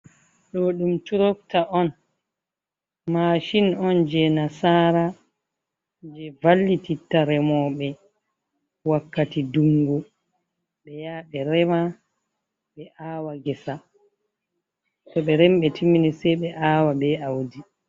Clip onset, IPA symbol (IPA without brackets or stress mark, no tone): ɗ